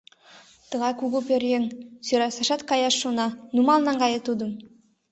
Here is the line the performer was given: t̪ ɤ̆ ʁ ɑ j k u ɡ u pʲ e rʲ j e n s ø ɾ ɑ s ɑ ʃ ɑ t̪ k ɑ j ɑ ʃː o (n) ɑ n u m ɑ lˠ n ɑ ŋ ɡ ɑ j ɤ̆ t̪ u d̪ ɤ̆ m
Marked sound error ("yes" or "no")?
no